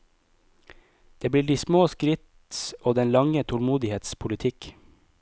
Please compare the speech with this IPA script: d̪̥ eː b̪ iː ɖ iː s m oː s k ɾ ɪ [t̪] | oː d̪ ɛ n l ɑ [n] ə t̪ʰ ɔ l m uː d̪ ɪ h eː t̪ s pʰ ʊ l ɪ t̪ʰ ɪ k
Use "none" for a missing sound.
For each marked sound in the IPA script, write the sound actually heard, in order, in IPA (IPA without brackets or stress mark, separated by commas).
t̪, ŋ